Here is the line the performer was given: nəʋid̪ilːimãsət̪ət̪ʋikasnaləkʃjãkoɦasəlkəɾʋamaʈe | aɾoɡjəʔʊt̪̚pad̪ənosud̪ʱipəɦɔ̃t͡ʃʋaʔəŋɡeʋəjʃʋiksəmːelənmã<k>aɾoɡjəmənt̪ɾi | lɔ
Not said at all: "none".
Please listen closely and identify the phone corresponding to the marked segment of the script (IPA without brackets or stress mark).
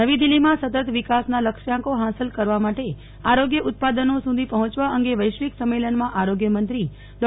ʔ